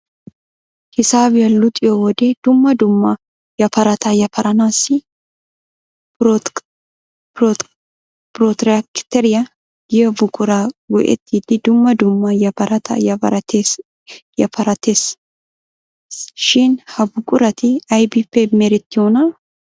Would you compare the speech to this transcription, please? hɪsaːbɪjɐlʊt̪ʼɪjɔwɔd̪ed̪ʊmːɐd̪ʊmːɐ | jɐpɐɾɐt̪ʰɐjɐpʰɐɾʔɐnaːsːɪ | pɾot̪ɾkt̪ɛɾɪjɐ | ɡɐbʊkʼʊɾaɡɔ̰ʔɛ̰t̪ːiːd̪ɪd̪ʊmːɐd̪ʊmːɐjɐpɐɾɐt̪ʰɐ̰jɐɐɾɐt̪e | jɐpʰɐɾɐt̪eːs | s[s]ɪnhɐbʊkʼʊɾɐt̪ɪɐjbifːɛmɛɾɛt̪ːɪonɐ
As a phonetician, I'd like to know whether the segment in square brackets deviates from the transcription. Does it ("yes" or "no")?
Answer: yes